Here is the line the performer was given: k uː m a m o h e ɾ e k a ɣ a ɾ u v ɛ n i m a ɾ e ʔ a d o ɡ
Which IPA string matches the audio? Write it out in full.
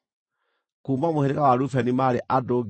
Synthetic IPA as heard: k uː m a m o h e ɾ e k a w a ɾ u f ɛ n i m a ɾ e ʔ a d o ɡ